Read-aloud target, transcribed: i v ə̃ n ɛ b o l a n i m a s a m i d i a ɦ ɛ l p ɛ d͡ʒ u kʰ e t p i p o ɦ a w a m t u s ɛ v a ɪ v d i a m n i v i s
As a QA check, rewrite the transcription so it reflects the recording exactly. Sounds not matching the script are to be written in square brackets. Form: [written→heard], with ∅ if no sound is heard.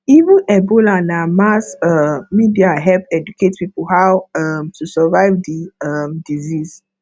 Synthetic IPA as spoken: i v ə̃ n ɛ b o l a n [i→a] m a s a m i d i a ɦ ɛ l p ɛ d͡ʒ u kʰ e t p i p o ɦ a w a m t u s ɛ v a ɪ v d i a m [n→d] i [v→z] i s